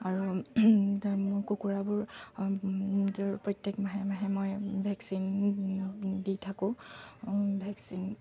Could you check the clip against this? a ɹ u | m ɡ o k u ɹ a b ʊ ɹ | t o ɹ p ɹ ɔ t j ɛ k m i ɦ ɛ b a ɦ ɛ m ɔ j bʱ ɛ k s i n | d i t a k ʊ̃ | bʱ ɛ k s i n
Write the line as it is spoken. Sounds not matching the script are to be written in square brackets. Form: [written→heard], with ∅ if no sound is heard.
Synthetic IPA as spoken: a ɹ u | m [ɡ→k] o k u ɹ a b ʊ ɹ | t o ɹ p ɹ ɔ t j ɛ k m [i→a] ɦ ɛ [b→m] a ɦ ɛ m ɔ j bʱ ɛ k s i n | d i [t→tʰ] a k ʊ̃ | bʱ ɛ k s i n